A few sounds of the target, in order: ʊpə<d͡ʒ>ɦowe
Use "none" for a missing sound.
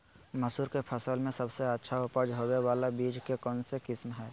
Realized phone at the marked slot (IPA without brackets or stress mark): d͡ʒ